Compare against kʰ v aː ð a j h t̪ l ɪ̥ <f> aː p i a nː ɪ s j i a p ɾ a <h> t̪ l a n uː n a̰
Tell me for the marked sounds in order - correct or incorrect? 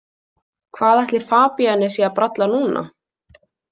correct, incorrect

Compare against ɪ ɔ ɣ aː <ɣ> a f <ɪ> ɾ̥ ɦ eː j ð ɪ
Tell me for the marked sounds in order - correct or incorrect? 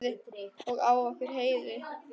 incorrect, correct

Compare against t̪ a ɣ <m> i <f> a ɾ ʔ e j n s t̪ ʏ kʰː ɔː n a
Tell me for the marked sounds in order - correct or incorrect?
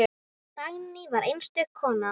incorrect, incorrect

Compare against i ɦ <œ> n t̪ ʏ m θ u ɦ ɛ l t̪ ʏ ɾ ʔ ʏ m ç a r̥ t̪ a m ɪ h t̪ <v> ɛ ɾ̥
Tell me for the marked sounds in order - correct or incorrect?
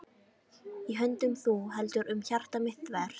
correct, correct

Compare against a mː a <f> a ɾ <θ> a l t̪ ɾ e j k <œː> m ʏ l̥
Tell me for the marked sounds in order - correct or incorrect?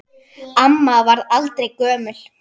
incorrect, incorrect, correct

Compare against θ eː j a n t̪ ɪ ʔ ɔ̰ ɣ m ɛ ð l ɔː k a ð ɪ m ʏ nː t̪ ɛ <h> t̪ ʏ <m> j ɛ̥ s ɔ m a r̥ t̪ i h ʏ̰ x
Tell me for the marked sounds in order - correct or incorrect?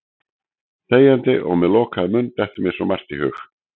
correct, correct

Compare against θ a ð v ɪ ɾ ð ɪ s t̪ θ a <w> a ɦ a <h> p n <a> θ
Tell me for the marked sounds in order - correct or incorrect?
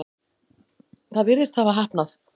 incorrect, correct, correct

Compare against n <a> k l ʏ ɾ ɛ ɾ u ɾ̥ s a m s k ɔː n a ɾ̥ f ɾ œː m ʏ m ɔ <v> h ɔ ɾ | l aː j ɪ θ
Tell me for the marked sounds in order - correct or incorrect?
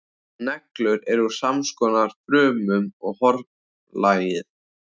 incorrect, incorrect

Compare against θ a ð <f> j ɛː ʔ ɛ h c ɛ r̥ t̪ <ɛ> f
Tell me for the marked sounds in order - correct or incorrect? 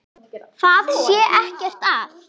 incorrect, incorrect

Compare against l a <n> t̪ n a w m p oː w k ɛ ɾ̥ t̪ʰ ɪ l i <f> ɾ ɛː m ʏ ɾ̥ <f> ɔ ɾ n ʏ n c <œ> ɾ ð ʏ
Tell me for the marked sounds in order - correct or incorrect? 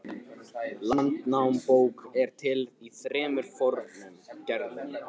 correct, incorrect, correct, incorrect

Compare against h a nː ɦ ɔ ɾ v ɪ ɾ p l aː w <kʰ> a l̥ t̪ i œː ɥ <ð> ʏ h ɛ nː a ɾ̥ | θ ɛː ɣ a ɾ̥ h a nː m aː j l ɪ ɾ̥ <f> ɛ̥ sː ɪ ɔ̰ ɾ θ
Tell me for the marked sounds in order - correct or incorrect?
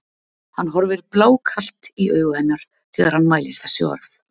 correct, incorrect, incorrect

